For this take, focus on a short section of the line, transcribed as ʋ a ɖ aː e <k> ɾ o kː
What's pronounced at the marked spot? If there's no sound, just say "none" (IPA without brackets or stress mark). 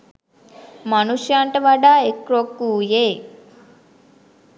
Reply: k